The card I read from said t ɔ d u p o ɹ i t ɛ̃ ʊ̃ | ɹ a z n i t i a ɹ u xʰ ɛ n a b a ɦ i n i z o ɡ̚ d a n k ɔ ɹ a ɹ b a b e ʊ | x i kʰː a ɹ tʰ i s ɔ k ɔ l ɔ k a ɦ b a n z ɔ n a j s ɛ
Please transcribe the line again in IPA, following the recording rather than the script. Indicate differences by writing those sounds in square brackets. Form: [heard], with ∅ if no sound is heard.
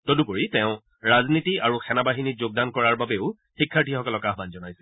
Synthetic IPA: t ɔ d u p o ɹ i t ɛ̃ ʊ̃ | ɹ a z n i t i a ɹ u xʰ ɛ n a b a ɦ i n i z o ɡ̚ d a n k ɔ ɹ a ɹ b a b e ʊ | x i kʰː a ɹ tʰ i [x] ɔ k ɔ l ɔ k a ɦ b a n z ɔ n a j s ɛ